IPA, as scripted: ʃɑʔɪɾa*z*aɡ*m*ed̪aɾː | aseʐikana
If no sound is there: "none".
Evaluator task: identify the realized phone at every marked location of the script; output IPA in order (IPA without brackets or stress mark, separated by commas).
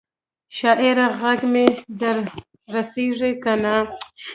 ɣ, m